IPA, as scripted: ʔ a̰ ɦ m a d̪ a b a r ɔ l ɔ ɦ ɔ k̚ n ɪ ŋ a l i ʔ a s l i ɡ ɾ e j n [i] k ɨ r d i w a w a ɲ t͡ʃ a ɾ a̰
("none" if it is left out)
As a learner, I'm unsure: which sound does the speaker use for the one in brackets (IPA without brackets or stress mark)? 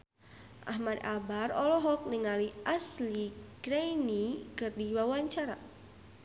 i